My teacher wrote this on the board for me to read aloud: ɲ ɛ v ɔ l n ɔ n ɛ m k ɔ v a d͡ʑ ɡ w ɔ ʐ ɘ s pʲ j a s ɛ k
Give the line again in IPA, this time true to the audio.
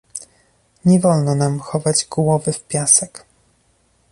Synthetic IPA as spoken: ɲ ɛ v ɔ l n ɔ n a m x ɔ v a d͡ʑ ɡ w ɔ v ɘ f pʲ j a s ɛ k